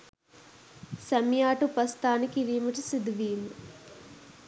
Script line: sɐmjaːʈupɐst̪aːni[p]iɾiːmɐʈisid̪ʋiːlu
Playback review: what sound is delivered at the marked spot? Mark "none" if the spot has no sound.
k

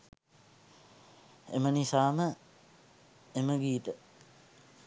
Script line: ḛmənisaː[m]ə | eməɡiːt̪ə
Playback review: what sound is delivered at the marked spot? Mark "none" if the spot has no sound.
m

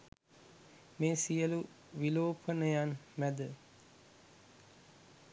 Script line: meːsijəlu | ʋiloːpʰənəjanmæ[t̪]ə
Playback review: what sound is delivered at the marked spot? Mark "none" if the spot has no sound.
d̪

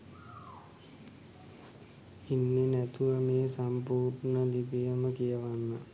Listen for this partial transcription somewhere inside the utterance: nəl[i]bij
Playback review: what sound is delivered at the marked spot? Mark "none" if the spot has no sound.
i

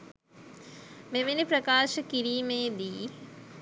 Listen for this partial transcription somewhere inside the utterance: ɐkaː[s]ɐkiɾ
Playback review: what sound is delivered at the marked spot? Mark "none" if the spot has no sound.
ʃ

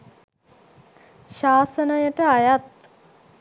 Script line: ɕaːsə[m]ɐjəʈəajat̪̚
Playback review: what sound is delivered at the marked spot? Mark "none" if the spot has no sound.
n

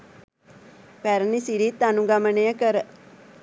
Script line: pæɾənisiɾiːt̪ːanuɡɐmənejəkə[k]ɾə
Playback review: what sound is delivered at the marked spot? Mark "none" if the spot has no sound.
none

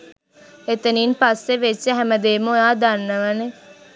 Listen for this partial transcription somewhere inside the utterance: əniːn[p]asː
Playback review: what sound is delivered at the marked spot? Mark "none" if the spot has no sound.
p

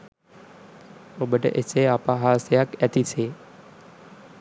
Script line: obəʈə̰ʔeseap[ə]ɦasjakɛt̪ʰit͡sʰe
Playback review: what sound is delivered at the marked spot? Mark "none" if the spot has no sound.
a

